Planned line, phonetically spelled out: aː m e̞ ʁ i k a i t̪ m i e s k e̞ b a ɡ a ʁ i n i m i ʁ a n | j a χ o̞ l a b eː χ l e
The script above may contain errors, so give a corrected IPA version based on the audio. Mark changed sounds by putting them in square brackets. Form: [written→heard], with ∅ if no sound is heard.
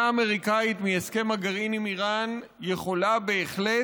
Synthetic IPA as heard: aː m e̞ ʁ i k a i t̪ m i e s k e̞ [b→m] a ɡ a ʁ i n i m i ʁ a n | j [a→e] χ o̞ l a b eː χ l e